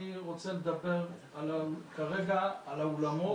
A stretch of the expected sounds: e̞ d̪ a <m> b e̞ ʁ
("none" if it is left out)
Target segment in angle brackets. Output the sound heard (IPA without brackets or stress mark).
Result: none